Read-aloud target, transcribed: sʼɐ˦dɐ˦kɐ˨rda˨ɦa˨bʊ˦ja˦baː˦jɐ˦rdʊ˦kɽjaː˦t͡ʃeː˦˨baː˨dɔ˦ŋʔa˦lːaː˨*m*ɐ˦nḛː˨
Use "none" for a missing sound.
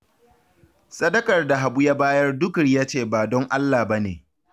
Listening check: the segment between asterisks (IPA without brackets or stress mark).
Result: b